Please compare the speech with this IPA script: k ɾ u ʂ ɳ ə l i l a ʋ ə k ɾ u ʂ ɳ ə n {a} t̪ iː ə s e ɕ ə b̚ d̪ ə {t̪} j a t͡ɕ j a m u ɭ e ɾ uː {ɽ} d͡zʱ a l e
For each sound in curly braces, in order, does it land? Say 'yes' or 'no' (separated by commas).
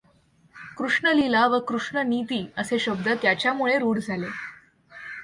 no, yes, yes